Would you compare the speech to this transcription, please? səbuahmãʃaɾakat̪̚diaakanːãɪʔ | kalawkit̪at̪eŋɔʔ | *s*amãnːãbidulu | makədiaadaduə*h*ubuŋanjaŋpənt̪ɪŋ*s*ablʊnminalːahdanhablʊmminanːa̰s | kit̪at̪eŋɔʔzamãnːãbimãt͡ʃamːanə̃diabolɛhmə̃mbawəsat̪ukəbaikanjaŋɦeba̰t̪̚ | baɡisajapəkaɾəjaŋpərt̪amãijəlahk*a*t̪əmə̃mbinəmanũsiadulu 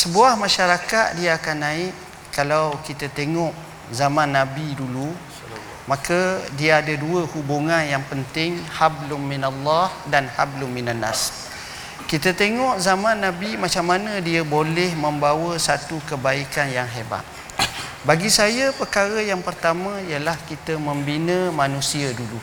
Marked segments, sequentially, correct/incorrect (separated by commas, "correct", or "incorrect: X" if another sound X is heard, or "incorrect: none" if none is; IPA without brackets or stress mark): incorrect: z, correct, incorrect: h, incorrect: i